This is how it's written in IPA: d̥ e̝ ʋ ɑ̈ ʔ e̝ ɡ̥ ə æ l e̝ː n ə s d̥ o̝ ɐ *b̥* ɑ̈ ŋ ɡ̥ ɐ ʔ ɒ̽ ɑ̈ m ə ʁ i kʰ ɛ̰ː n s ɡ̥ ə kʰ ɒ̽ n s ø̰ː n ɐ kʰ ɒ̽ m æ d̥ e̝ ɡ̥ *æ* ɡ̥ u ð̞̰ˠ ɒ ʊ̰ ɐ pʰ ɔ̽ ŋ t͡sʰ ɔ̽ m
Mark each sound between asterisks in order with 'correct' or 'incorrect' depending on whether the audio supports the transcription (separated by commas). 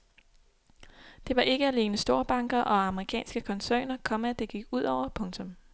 correct, incorrect